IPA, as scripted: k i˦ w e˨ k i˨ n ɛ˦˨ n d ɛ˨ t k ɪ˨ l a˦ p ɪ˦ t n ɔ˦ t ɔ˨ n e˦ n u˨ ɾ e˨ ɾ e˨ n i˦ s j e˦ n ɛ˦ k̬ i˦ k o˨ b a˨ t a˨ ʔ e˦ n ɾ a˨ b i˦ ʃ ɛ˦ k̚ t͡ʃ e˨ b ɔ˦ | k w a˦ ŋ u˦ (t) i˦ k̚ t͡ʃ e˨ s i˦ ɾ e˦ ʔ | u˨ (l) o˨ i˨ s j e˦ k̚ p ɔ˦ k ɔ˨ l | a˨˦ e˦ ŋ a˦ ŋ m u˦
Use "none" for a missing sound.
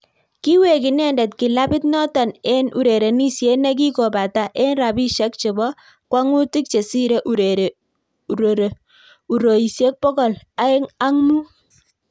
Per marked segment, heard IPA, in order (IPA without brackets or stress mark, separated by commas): t, ɾ